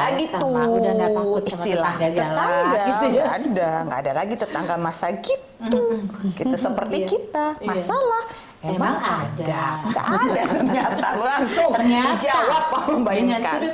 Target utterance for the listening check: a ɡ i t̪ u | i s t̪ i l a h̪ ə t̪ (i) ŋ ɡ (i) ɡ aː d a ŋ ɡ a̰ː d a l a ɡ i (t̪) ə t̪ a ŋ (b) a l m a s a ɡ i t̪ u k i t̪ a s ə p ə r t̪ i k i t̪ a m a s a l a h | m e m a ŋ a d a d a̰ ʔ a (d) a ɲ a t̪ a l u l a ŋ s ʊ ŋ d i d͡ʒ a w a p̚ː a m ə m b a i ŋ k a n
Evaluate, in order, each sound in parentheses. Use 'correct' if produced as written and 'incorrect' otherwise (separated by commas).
incorrect, incorrect, correct, incorrect, correct